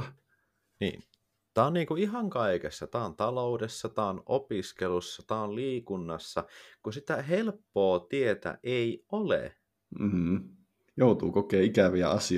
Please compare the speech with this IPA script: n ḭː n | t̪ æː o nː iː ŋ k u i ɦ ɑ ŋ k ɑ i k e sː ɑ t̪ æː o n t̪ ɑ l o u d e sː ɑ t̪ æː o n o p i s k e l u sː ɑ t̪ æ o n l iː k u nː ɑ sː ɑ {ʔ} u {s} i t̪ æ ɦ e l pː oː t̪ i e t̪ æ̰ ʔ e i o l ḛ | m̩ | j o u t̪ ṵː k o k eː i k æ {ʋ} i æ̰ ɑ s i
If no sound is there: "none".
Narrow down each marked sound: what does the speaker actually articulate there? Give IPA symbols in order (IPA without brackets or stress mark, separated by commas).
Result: k, s, ʋ